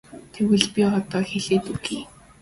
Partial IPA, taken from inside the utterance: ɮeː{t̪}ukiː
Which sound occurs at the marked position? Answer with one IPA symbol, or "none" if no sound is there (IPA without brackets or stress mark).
t̪